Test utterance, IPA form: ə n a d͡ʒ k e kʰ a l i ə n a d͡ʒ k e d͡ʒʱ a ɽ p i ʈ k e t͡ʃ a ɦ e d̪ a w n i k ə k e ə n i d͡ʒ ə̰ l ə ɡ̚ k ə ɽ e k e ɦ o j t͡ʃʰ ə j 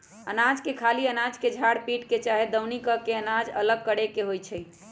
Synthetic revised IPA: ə n a d͡ʒ k e kʰ a l i ə n a d͡ʒ k e d͡ʒʱ a ɽ p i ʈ k e t͡ʃ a ɦ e d̪ ə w n i k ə k e ə n a d͡ʒ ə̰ l ə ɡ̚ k ə ɽ e k e ɦ o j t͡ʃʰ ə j

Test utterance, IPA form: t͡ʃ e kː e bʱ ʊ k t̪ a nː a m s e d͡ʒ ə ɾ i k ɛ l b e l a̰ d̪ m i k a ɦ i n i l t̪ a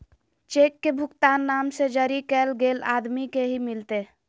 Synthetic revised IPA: t͡ʃ e kː e bʱ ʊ k t̪ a nː a m s e d͡ʒ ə ɾ i k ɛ l ɡ e l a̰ d̪ m i k e ɦ i m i l t̪ e

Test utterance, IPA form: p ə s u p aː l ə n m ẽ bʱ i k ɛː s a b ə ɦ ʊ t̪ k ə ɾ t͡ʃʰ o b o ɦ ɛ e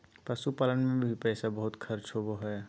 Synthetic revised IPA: p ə s u p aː l ə n m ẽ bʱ i p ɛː s a b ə ɦ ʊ t̪ kʰ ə ɾ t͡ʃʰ o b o ɦ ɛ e

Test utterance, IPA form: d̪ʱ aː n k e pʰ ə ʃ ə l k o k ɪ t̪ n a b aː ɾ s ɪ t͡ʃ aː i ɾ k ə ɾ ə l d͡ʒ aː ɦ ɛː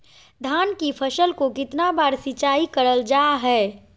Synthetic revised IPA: d̪ʱ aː n k i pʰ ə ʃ ə l k o k ɪ t̪ n a b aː ɾ s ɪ t͡ʃ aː i k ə ɾ ə l d͡ʒ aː ɦ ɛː

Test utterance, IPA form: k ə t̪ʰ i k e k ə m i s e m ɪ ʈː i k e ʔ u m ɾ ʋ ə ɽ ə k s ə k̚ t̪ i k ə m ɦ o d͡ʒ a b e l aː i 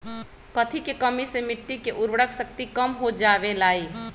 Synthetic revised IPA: k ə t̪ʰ i k e k ə m i s e m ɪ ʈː i k e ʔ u ɾ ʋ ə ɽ ə k s ə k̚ t̪ i k ə m ɦ o d͡ʒ a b e l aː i

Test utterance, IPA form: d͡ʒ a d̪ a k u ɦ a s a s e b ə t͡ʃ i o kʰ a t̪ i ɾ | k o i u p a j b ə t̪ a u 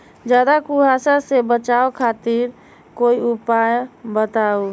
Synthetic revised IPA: d͡ʒ a d̪ a k u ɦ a s a s e b ə t͡ʃ a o kʰ a t̪ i ɾ | k o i u p a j b ə t̪ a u

